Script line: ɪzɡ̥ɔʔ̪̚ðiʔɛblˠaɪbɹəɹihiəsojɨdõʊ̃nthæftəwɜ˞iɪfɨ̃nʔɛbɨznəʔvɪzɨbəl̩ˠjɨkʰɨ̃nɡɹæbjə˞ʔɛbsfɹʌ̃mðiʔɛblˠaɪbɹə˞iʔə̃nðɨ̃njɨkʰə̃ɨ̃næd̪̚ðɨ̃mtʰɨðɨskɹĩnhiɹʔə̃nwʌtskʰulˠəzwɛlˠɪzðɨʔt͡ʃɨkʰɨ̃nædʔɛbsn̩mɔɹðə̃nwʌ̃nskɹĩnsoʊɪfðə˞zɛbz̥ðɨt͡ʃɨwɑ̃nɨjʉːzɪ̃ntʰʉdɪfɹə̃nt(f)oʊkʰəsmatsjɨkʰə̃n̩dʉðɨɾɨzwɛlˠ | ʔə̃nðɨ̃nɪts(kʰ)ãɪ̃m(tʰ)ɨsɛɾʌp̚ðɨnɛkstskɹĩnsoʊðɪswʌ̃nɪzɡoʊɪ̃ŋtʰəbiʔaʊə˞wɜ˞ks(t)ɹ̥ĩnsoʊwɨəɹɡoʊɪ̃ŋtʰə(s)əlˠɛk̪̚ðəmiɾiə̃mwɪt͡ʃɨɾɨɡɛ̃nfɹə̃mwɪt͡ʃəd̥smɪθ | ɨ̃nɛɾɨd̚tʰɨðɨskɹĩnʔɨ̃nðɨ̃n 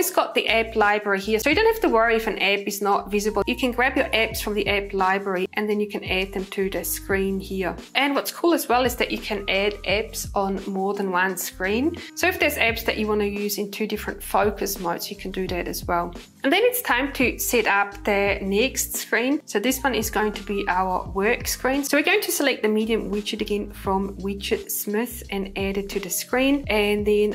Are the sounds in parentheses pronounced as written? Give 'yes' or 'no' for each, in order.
yes, no, yes, no, yes

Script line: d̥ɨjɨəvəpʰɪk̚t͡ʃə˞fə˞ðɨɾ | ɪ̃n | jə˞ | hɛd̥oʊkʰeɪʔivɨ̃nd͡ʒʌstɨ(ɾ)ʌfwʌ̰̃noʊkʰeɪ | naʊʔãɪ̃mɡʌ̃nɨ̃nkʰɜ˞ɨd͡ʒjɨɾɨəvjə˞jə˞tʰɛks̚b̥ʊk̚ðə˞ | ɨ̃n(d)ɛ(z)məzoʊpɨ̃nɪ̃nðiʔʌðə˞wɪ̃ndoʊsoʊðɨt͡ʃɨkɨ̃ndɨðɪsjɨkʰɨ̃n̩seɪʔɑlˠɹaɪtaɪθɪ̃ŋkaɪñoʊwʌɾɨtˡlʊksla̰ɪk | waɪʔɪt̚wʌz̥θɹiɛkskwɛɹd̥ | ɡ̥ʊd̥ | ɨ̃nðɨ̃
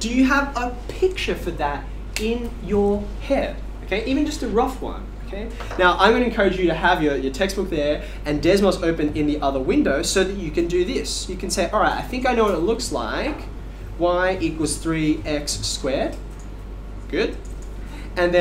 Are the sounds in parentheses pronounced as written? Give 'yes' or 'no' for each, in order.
no, yes, yes

